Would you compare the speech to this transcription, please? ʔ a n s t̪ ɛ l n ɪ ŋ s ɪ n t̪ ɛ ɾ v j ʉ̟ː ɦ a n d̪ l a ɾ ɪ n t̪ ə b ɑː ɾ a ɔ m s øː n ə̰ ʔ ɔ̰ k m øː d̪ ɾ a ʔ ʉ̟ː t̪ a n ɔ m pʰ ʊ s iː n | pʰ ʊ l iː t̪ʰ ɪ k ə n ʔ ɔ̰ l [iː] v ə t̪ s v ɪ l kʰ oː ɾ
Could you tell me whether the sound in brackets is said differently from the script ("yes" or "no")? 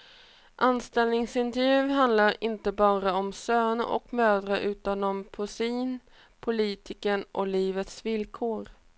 no